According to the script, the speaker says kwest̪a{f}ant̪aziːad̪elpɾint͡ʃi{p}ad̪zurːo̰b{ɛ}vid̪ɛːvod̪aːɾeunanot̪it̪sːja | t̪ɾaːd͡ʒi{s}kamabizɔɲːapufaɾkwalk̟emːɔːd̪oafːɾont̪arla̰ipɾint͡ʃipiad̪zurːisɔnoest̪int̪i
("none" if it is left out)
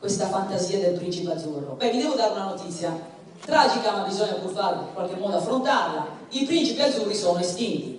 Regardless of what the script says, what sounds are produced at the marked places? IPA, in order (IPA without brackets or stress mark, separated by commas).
f, p, ɛ, none